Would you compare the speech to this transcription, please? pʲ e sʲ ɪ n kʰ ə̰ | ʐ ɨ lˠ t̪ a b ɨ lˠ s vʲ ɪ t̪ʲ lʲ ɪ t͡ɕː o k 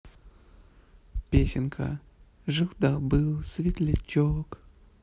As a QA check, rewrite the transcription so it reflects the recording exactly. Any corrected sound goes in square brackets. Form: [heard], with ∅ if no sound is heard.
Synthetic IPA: pʲ e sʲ ɪ n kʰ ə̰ | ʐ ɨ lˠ [d̪] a b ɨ lˠ s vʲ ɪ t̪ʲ lʲ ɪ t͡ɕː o k